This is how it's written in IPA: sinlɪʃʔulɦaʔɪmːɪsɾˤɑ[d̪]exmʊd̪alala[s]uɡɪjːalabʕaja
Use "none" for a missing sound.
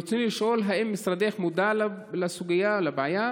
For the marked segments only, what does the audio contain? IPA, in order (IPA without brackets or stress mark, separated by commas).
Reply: d̪, s